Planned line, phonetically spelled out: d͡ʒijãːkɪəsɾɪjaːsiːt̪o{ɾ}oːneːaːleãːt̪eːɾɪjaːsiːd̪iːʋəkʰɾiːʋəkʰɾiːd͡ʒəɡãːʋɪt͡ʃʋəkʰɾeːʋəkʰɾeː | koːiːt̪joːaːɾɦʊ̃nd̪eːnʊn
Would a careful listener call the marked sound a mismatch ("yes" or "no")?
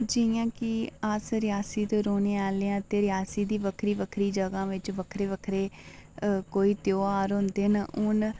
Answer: no